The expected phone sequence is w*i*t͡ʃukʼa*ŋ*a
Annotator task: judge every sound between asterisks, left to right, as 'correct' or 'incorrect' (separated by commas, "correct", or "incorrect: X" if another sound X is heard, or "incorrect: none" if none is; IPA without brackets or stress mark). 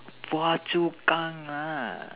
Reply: incorrect: a, correct